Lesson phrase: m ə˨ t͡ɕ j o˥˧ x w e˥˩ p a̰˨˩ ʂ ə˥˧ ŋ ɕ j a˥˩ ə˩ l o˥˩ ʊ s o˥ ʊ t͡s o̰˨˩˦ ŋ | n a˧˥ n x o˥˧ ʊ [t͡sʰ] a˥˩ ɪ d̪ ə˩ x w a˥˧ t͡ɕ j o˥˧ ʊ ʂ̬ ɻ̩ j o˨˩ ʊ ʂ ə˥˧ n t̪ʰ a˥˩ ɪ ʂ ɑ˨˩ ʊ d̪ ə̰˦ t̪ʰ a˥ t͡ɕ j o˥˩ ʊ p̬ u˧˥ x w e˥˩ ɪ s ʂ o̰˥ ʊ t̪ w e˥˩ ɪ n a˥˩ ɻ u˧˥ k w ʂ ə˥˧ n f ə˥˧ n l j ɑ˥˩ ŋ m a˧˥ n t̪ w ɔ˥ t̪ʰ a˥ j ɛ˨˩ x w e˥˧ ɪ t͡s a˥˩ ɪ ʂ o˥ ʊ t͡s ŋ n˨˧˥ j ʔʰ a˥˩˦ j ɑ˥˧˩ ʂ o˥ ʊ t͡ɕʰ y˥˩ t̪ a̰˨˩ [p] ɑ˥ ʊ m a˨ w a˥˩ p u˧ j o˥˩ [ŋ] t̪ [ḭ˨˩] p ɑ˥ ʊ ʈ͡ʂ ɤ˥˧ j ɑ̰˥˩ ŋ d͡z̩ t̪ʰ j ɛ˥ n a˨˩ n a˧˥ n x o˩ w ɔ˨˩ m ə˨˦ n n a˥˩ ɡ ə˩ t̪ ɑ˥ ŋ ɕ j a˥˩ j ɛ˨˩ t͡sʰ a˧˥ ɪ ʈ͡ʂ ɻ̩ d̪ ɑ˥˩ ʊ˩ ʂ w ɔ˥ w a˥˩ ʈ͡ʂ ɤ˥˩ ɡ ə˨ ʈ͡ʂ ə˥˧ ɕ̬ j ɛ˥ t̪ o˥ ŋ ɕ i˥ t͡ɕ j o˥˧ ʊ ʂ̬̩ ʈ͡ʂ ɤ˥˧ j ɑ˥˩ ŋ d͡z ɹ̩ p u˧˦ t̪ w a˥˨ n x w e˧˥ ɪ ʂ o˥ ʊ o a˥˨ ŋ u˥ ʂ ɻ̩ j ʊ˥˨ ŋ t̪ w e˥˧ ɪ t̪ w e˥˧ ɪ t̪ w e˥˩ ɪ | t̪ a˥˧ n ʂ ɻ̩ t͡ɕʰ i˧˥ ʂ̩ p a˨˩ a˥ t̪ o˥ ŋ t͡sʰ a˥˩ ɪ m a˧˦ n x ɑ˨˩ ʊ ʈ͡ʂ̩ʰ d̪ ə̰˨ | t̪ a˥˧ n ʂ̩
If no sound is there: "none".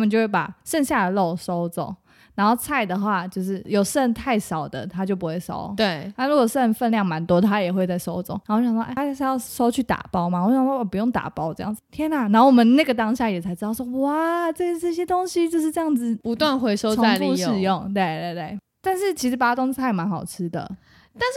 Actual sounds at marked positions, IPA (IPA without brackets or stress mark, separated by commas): t͡sʰ, p, ŋ, a̰˨˩